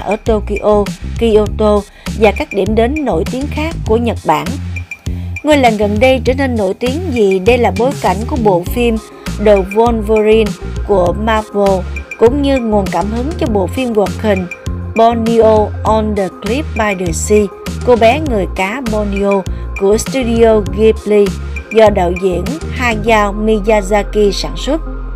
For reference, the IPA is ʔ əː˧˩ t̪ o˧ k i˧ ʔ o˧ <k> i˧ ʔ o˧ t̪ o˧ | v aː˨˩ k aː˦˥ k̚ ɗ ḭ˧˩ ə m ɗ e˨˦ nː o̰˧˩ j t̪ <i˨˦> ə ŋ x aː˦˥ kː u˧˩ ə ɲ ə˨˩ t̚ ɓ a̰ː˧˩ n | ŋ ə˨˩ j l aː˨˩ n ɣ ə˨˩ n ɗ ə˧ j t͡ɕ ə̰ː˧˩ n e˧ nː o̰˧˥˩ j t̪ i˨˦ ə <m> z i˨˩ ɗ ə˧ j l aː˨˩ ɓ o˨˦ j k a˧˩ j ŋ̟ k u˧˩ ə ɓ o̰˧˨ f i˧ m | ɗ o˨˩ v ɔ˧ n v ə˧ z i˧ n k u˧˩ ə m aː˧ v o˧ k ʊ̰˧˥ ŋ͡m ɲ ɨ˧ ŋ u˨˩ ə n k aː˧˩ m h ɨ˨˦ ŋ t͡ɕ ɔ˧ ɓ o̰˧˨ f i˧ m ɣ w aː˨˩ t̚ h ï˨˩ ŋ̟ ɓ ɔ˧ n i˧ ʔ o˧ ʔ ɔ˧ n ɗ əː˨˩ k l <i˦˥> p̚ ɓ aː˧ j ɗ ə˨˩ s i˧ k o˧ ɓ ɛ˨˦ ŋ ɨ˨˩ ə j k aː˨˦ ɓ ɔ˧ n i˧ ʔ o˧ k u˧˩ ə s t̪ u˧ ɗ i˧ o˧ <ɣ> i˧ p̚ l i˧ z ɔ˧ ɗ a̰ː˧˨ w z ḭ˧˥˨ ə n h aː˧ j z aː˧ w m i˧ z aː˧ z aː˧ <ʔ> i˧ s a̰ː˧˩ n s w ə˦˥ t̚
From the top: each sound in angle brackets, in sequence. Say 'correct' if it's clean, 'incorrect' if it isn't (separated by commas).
correct, correct, incorrect, correct, correct, incorrect